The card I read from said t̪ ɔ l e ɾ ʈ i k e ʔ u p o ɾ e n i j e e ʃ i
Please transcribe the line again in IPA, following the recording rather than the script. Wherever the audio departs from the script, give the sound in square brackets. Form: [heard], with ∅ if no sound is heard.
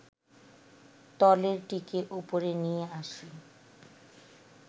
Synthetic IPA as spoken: t̪ ɔ l e ɾ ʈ i k e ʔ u p o ɾ e n i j e [a] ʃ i

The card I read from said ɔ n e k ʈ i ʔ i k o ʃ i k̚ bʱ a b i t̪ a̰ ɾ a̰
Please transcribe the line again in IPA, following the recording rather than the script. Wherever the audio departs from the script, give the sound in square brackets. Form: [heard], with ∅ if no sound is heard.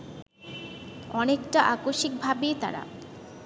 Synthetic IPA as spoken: ɔ n e k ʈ [a] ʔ [a] k o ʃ i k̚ bʱ a b [e] t̪ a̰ ɾ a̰

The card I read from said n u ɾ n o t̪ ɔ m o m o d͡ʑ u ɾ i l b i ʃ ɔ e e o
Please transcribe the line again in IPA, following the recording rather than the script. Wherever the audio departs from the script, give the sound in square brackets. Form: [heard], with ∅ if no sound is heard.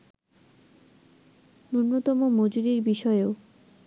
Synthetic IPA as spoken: n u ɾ n o t̪ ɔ m o m o d͡ʑ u ɾ i [ɾ] b i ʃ ɔ e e o

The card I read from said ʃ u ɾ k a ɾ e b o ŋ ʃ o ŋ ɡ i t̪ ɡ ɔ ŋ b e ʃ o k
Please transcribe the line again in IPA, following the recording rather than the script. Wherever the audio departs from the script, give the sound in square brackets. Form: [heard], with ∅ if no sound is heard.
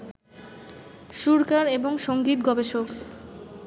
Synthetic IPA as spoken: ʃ u ɾ k a ɾ e b o ŋ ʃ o ŋ ɡ i t̪ ɡ ɔ [∅] b e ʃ o k

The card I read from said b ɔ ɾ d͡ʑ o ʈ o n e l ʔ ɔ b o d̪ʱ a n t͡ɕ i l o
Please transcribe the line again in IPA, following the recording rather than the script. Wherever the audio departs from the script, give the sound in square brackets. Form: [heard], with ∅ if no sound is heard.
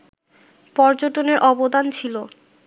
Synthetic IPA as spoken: [p] ɔ ɾ d͡ʑ o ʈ o n e [ɾ] ʔ ɔ b o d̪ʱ a n [t͡ɕʰ] i l o

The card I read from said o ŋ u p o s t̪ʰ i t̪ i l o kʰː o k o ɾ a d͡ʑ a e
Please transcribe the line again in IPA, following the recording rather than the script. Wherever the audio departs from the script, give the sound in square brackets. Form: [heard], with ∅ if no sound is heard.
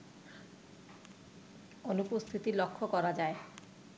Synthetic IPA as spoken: o [n] u p o s t̪ʰ i t̪ i l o kʰː o k [ɔ] ɾ a d͡ʑ a e

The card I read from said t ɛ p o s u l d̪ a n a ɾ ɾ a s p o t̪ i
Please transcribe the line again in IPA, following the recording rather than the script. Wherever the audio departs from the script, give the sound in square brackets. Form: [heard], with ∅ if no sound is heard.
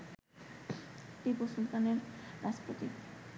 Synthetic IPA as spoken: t [i] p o s u l [t̪] a n [e] ɾ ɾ a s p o t̪ i

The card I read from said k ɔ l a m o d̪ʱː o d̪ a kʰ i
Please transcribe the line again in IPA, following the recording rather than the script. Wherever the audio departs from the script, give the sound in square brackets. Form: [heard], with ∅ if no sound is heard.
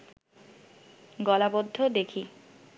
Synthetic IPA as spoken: [ɡ] ɔ l a [b] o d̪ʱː o d̪ [e] kʰ i

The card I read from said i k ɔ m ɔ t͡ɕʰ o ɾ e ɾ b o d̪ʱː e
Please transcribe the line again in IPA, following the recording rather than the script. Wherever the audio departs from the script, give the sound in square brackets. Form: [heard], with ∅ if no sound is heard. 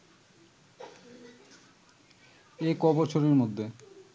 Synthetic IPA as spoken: [e] k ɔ [b] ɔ t͡ɕʰ o ɾ e ɾ [m] o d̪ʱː e

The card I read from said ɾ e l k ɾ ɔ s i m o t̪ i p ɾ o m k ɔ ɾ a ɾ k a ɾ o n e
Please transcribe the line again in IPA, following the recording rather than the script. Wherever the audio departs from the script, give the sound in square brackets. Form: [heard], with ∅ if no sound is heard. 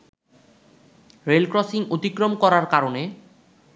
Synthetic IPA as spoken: ɾ e l k ɾ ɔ s i [ŋ] o t̪ i [k] ɾ o m k ɔ ɾ a ɾ k a ɾ o n e

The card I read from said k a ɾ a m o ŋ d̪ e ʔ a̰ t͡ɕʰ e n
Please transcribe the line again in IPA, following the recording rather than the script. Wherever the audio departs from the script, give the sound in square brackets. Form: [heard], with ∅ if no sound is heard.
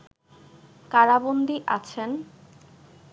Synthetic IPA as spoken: k a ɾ a [b] o [n] d̪ [i] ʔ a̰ t͡ɕʰ e n

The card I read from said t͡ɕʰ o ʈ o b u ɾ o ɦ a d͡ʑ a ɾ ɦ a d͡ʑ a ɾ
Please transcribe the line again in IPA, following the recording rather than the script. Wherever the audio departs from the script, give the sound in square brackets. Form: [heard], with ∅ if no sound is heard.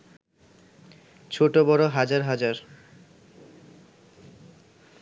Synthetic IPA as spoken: t͡ɕʰ o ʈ o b [ɔ] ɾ o ɦ a d͡ʑ a ɾ ɦ a d͡ʑ a ɾ

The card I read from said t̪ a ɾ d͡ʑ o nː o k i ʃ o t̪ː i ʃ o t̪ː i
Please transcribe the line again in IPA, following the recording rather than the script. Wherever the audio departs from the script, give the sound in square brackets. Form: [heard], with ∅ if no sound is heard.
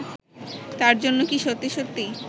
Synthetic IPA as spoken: t̪ a ɾ d͡ʑ o nː o k i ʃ o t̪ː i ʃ o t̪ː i

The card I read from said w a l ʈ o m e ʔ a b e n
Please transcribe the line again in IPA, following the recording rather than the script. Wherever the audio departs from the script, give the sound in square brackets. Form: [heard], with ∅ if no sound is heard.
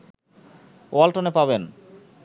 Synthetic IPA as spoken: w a l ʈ o [n] e [p] a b e n

